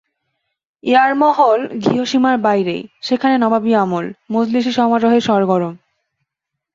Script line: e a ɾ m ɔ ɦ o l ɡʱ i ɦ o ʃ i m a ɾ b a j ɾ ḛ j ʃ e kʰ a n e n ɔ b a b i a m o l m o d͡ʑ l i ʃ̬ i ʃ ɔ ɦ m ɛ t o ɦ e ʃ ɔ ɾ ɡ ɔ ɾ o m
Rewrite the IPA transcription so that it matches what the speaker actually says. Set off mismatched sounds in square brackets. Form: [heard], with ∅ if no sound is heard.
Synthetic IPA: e a ɾ m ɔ ɦ o l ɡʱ i ɦ o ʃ i m a ɾ b a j ɾ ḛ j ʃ e kʰ a n e n ɔ b a b i a m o l m o d͡ʑ l i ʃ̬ i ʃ ɔ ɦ m [a] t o ɦ e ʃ ɔ ɾ ɡ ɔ ɾ o m